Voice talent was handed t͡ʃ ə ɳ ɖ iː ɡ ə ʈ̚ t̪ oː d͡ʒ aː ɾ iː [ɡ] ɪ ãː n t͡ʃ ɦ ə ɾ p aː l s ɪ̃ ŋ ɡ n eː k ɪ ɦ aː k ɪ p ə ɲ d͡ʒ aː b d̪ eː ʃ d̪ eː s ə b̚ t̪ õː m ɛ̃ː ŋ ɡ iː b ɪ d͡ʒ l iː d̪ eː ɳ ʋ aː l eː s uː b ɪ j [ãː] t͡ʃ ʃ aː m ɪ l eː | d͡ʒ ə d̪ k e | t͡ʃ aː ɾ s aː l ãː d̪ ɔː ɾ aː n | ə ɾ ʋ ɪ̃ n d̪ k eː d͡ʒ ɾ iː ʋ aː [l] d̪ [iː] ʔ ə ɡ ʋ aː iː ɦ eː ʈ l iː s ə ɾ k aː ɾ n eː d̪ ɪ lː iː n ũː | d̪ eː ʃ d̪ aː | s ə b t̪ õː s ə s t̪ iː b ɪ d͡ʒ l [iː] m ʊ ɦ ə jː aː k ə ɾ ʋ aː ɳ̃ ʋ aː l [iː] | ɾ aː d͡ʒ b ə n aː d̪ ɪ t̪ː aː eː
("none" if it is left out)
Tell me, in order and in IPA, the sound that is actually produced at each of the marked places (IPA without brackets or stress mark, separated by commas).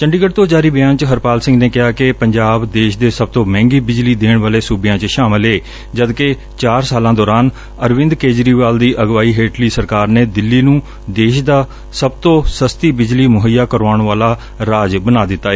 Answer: b, ãː, l, iː, iː, aː